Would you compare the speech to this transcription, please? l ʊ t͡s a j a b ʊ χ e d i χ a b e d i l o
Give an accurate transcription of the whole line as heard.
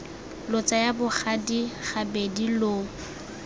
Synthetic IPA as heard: l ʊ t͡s a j a b ʊ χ a d i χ a b e d i l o